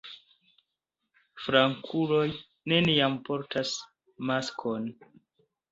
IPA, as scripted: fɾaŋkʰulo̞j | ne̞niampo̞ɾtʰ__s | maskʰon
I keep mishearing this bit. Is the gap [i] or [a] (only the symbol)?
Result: a